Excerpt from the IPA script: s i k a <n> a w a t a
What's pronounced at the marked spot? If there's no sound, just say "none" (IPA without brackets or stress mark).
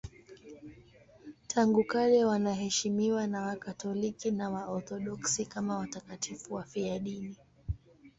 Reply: m